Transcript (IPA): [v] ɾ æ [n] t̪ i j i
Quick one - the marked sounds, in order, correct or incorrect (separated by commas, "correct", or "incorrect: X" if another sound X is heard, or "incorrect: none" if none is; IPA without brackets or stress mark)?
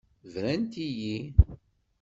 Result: correct, correct